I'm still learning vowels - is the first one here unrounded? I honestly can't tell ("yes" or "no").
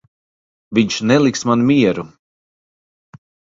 yes